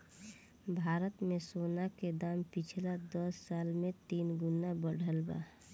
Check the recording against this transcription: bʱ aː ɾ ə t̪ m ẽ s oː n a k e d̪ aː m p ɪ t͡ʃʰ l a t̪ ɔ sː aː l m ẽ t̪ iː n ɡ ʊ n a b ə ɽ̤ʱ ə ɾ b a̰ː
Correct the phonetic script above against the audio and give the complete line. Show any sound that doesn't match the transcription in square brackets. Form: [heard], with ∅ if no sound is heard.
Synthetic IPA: bʱ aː ɾ ə t̪ m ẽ s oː n a k e d̪ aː m p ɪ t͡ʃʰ l a [d̪] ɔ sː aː l m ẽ t̪ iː n ɡ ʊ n a b ə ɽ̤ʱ ə [l] b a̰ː